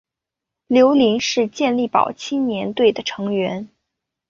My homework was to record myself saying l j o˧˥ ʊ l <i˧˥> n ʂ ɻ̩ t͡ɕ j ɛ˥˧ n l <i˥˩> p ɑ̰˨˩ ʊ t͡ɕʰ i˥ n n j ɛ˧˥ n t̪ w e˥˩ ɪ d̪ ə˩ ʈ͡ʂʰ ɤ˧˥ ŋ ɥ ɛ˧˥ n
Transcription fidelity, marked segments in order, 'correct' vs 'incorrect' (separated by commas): correct, correct